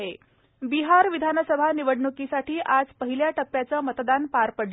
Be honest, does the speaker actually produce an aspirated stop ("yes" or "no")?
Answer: no